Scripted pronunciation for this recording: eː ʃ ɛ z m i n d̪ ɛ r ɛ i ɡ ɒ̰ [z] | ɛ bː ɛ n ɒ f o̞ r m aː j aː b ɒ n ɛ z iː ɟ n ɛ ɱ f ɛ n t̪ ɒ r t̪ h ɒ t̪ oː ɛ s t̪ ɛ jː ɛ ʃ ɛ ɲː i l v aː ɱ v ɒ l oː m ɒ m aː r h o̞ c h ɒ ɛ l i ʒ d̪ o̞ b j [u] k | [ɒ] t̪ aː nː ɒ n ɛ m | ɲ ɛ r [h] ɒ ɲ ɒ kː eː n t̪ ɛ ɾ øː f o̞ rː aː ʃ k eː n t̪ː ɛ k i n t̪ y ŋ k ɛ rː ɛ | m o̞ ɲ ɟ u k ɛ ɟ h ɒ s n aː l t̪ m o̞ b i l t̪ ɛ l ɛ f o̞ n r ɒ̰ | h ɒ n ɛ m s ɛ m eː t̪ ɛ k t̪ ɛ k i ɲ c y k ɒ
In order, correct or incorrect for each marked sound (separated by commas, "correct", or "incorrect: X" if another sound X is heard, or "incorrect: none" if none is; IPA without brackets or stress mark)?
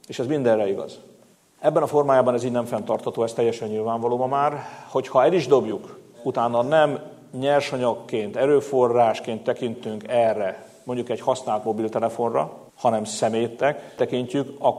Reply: correct, correct, incorrect: u, incorrect: ʃ